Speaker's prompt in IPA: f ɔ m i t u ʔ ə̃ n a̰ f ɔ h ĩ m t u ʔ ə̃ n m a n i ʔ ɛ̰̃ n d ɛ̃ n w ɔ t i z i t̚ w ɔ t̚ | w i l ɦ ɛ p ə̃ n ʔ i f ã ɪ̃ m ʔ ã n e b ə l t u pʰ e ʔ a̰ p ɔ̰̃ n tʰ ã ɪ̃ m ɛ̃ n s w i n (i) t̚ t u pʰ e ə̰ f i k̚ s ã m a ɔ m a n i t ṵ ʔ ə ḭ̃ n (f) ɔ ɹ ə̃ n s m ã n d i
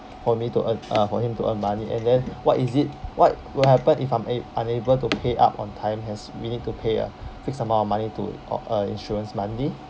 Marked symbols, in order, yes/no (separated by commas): yes, no